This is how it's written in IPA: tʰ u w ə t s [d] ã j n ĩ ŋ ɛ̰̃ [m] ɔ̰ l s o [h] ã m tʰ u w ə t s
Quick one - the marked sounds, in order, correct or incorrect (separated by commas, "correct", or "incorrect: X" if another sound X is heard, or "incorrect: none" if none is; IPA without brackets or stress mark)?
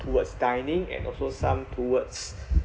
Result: correct, incorrect: n, incorrect: s